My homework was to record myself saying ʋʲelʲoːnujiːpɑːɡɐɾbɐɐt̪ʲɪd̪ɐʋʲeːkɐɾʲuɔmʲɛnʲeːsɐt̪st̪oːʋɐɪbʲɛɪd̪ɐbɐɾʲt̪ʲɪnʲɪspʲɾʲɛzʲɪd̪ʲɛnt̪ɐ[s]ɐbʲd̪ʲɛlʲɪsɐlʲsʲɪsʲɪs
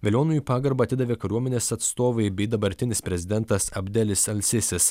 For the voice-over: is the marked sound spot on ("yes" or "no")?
yes